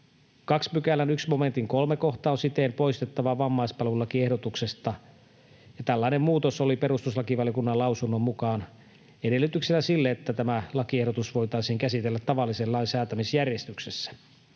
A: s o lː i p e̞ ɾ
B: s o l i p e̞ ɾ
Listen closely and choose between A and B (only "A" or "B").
B